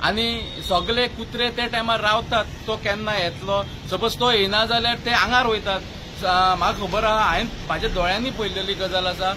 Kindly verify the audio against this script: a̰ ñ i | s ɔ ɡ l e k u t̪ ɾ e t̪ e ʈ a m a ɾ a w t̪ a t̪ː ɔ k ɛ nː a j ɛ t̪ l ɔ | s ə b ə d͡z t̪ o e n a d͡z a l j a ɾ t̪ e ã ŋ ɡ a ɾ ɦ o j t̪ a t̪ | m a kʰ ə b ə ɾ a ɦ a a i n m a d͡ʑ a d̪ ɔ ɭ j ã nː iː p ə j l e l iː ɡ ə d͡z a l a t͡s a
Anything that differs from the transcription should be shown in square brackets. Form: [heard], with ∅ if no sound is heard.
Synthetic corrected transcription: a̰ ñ i | s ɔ ɡ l e k u t̪ ɾ e t̪ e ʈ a m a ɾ a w t̪ a t̪ː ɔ k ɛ nː a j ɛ t̪ l ɔ | s ə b ə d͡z t̪ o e n a d͡z a l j a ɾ t̪ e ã ŋ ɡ a ɾ ɦ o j t̪ a t̪ | m a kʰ ə b ə ɾ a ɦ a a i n m a d͡ʑ a d̪ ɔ ɭ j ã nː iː p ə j l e l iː ɡ ə d͡z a l a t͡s a